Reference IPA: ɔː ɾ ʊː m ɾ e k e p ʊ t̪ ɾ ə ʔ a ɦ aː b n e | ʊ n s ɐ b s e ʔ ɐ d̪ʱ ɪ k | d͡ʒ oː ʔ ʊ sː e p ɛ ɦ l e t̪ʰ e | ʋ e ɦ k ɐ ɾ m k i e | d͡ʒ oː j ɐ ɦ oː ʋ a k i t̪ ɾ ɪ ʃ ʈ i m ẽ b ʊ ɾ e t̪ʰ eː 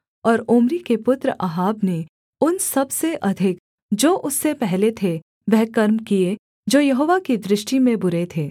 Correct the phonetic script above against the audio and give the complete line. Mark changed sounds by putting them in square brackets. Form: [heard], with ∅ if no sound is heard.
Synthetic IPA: ɔː ɾ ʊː m ɾ [i] k e p ʊ t̪ ɾ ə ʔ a ɦ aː b n e | ʊ n s ɐ b s e ʔ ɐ d̪ʱ ɪ k | d͡ʒ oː ʔ ʊ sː e p ɛ ɦ l e t̪ʰ e | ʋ [ɛ] ɦ k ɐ ɾ m k i e | d͡ʒ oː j ɐ ɦ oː ʋ a k i [d̪] ɾ ɪ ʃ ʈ i m ẽ b ʊ ɾ e t̪ʰ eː